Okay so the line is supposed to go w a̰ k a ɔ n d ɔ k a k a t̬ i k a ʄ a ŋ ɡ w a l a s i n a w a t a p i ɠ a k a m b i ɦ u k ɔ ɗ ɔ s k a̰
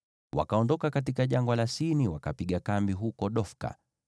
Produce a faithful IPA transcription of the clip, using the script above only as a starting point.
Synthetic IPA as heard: w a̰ k a ɔ n d ɔ k a k a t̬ i k a ʄ a ŋ ɡ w a l a s i n i w a k a p i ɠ a k a m b i ɦ u k ɔ ɗ ɔ f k a̰